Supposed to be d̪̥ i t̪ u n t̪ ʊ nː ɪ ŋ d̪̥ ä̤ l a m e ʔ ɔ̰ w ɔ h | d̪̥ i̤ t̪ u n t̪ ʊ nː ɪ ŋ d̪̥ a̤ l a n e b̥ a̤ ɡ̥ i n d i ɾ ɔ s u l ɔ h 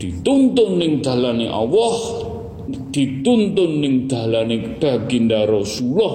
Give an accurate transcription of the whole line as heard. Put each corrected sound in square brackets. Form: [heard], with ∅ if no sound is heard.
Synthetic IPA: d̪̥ i t̪ u n t̪ ʊ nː ɪ ŋ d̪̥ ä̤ l a [n] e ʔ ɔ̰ w ɔ h | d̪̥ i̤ t̪ u n t̪ ʊ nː ɪ ŋ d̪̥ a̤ l a n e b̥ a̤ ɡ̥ i n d [a] ɾ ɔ s u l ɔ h